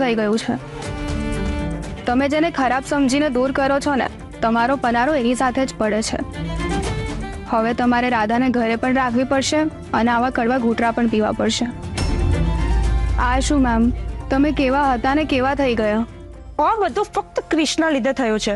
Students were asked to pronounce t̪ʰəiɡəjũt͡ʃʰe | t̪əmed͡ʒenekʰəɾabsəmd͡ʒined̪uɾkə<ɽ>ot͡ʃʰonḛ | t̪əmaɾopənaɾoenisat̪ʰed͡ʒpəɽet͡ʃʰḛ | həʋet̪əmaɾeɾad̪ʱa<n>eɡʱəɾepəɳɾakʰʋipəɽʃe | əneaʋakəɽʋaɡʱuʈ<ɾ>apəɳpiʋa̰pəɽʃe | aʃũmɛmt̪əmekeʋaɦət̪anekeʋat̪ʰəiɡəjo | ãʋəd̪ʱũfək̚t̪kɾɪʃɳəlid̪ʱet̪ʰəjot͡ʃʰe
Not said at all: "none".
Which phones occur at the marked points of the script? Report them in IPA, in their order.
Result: ɾ, n, ɾ

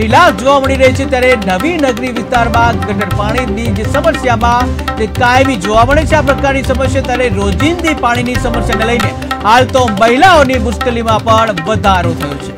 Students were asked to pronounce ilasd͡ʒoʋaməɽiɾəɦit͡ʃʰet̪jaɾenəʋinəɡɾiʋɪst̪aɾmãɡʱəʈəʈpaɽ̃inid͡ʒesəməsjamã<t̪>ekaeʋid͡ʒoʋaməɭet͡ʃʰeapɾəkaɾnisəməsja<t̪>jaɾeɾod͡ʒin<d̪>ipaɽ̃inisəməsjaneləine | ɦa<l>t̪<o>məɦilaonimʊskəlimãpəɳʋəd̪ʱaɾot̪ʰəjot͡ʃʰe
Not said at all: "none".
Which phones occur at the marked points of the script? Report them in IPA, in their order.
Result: t̪, t̪, d̪, l, o

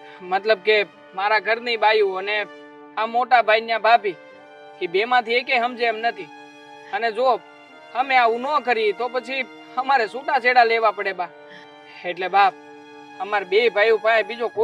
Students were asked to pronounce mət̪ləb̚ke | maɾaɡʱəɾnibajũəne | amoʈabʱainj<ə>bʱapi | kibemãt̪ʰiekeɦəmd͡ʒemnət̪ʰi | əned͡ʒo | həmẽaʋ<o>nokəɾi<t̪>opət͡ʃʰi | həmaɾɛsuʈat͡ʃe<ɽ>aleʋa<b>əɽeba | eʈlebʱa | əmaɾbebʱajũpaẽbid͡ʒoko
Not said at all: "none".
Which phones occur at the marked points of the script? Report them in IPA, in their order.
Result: a, u, t̪, ɽ, p

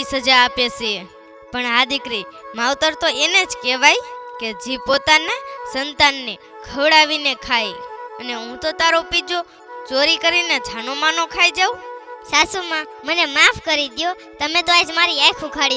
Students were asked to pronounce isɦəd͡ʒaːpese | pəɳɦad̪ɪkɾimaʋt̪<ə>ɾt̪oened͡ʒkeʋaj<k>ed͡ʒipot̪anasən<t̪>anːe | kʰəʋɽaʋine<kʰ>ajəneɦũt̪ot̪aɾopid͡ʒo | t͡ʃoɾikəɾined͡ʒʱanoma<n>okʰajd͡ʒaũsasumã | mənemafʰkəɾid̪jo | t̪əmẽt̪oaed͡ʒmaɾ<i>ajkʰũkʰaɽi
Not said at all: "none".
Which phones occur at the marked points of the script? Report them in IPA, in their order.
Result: ə, k, t̪, kʰ, n, i

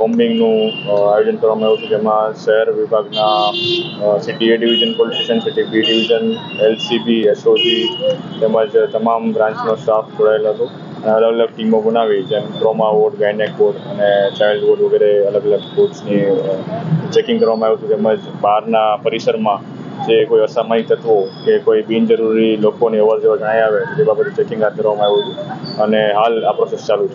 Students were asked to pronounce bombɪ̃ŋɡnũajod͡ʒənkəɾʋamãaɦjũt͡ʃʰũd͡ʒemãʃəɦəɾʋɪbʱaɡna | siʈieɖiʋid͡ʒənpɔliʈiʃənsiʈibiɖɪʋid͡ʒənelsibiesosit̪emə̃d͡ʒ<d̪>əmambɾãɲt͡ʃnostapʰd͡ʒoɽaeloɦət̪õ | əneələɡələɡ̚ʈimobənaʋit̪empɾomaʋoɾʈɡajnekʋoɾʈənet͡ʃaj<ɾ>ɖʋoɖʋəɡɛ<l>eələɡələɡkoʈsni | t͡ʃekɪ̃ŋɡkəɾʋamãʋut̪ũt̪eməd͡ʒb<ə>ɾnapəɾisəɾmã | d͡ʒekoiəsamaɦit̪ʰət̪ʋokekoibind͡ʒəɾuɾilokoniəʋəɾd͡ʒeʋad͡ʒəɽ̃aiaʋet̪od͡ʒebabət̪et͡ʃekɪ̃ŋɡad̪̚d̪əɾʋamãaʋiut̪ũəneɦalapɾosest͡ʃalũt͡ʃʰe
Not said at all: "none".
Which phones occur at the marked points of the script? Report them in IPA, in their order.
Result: t̪, l, ɾ, a

